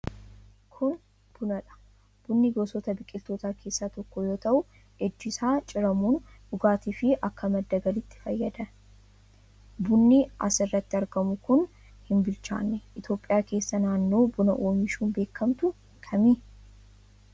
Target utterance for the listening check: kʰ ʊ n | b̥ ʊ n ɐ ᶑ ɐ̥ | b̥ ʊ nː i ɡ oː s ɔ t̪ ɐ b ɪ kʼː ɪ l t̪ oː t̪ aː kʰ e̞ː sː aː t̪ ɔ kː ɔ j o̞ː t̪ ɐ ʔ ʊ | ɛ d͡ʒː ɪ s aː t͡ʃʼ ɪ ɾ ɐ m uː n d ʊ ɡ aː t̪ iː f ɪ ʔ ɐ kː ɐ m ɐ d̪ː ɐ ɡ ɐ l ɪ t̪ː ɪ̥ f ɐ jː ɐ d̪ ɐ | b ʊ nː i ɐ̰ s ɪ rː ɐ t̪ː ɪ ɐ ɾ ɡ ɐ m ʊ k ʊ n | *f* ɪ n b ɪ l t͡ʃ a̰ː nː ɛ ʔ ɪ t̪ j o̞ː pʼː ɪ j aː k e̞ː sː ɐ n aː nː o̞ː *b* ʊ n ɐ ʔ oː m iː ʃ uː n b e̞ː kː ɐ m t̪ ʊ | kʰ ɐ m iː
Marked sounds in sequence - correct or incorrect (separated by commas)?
incorrect, correct